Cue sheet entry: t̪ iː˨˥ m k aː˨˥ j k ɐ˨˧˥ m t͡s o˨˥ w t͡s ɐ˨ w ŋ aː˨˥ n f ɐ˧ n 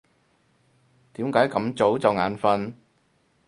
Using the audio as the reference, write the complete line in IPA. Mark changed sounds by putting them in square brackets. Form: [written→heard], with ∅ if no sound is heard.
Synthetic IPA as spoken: t̪ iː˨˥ m k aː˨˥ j k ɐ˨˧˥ m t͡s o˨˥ w t͡s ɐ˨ w ŋ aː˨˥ n f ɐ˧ n